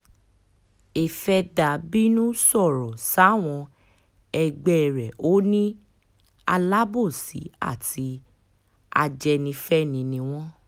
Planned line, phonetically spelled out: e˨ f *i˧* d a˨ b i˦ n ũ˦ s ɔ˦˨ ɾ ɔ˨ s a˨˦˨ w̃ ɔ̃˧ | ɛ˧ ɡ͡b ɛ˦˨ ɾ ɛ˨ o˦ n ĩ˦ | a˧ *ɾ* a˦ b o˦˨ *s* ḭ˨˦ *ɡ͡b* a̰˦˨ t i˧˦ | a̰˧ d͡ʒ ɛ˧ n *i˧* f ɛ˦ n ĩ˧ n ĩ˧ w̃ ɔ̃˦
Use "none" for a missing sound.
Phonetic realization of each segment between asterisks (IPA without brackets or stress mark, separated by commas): ɛ˧, l, s, none, ĩ˧